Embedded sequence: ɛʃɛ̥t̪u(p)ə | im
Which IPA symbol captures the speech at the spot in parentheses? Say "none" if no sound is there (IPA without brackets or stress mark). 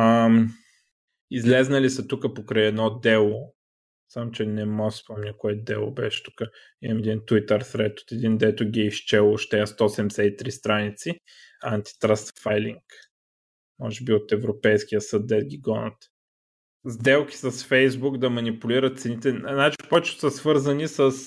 k